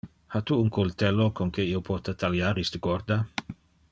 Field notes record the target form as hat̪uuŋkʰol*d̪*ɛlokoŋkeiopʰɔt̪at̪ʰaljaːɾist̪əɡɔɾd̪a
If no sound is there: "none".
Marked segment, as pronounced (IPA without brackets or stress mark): t̪